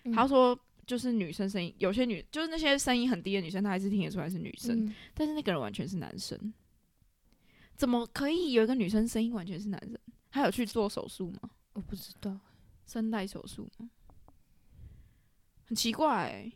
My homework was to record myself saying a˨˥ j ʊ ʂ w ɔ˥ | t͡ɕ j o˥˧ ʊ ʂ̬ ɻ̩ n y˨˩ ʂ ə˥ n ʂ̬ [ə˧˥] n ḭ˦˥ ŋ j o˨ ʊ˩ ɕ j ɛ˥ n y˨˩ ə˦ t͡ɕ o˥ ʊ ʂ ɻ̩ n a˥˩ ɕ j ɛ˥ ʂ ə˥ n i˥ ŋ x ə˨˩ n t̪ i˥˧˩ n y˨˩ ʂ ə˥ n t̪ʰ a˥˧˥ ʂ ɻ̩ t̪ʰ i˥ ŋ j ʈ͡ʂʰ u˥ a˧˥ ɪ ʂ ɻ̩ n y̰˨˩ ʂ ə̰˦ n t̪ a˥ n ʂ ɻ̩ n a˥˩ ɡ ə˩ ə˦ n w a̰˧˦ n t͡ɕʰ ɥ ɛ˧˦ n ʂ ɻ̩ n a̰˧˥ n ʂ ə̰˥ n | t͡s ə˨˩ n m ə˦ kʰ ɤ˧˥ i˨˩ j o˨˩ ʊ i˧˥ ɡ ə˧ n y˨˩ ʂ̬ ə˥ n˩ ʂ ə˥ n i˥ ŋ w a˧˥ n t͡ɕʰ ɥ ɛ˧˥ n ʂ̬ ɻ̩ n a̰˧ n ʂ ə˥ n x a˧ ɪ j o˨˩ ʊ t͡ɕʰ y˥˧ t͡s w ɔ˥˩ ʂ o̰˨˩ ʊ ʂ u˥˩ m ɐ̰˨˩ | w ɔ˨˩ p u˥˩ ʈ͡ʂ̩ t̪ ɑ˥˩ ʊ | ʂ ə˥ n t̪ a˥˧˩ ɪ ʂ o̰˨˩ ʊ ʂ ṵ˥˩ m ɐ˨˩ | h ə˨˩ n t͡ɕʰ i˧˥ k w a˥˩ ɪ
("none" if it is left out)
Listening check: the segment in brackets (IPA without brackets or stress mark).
ə˥